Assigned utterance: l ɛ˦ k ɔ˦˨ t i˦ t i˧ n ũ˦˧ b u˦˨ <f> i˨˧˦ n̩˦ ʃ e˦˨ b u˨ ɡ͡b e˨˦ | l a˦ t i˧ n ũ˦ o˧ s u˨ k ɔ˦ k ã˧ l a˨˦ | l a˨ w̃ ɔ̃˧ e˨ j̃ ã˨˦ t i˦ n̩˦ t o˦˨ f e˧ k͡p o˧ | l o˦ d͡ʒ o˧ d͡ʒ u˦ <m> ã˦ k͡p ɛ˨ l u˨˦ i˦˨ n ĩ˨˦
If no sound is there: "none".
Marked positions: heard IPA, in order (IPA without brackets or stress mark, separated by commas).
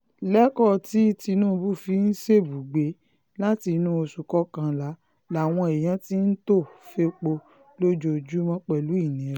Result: f, m